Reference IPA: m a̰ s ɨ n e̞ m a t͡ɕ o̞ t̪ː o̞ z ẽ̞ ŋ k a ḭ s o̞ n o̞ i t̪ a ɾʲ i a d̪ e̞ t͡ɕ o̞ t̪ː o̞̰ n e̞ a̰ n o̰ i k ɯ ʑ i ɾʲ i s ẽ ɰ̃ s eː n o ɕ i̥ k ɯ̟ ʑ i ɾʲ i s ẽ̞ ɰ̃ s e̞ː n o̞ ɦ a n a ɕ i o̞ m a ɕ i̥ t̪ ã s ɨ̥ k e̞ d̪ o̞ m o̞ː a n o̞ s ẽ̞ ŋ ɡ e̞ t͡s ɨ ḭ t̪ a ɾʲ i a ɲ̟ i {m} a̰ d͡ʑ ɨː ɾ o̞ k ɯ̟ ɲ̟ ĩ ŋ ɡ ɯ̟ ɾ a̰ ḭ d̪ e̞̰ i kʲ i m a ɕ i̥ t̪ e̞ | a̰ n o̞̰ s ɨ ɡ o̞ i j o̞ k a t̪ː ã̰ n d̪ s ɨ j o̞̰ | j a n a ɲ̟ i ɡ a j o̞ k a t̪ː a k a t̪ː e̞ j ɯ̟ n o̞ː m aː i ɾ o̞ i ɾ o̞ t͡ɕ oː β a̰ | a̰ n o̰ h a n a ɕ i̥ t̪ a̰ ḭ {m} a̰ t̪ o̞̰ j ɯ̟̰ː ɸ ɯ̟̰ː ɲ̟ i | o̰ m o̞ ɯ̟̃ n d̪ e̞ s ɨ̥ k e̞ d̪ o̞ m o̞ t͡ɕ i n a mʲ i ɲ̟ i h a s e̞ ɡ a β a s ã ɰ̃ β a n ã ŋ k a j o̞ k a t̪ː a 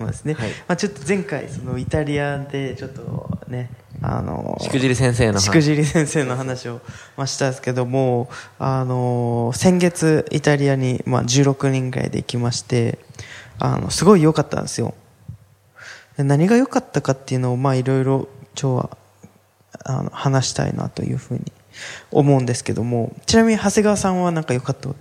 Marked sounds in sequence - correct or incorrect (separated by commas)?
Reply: correct, incorrect